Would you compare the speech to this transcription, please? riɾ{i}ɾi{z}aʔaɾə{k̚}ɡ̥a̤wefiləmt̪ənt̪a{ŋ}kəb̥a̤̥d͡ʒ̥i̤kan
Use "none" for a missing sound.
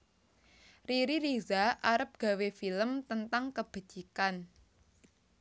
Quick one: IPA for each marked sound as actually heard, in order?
i, z, p̚, ŋ

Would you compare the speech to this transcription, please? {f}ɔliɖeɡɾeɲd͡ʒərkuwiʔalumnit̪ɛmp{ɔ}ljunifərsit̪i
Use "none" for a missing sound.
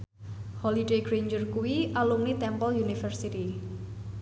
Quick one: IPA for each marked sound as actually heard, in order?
h, ɔ

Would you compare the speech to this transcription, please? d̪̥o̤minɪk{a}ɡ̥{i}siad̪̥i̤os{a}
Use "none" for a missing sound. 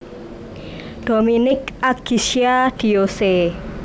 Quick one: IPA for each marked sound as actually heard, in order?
a, i, e

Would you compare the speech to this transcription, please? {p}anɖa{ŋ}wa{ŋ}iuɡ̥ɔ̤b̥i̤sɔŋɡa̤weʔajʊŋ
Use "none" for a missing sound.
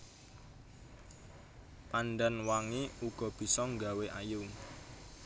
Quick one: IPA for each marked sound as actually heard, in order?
p, n, ŋ

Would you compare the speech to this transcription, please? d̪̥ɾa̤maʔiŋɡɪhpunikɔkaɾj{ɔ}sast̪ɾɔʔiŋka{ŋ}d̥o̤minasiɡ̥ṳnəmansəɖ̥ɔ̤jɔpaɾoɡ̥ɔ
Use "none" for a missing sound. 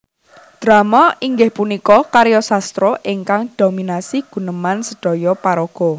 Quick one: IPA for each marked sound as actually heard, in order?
ɔ, ŋ

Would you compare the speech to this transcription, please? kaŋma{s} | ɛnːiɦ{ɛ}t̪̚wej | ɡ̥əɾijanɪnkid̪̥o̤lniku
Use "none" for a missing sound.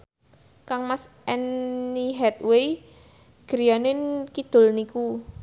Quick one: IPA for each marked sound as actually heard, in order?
s, ɛ

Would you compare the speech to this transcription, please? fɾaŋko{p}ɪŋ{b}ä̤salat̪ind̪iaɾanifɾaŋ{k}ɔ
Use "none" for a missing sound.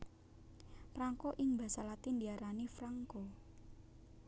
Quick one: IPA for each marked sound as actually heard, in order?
ʔ, b, k

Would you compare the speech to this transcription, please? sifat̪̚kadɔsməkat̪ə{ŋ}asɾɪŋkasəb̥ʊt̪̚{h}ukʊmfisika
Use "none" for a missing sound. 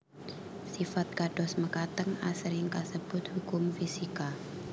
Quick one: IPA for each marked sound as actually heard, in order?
ŋ, h

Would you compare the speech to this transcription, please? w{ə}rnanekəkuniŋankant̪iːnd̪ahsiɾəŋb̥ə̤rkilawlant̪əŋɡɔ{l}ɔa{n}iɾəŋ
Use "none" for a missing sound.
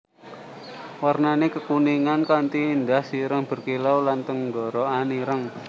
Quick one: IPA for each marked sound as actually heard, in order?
a, ɾ, n

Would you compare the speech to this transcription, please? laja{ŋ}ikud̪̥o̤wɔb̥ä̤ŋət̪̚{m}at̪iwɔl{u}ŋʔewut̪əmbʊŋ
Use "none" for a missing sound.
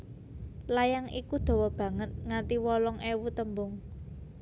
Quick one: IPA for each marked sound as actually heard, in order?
ŋ, ŋ, ɔ

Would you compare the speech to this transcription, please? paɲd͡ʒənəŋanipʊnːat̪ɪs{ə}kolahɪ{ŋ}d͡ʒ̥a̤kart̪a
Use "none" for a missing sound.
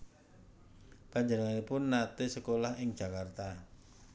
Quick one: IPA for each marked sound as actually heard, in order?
ə, ŋ

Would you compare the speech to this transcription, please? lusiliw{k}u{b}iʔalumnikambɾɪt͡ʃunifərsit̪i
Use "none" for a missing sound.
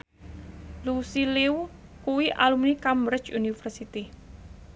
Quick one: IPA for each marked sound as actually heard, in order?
k, w

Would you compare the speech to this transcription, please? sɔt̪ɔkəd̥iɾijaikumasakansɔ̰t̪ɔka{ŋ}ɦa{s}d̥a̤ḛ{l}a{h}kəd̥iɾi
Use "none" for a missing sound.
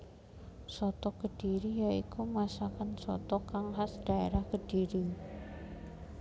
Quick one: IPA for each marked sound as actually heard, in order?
ŋ, s, ɾ, h

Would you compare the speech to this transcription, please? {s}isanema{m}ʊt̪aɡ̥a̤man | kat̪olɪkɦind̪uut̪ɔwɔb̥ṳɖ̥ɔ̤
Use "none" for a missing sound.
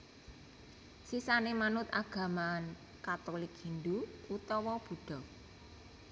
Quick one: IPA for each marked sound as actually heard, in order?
s, n

